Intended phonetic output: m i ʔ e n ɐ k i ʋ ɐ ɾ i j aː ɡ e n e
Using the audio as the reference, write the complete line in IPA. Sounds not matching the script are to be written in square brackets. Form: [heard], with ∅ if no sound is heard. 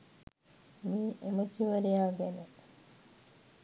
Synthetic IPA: m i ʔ e [m] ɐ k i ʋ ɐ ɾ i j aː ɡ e n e